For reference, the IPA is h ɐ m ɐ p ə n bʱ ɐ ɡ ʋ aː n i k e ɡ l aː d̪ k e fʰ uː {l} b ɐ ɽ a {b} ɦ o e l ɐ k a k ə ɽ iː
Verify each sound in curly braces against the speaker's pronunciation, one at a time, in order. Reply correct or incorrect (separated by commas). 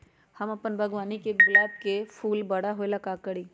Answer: correct, incorrect